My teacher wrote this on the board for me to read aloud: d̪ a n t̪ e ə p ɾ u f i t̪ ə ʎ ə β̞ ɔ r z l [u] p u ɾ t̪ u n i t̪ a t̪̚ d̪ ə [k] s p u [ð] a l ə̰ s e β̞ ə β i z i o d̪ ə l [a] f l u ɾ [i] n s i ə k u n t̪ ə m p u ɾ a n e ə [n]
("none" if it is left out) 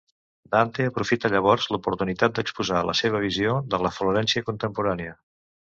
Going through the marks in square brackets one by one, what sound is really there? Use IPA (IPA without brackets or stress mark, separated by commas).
u, k, z, ə, ɛ, none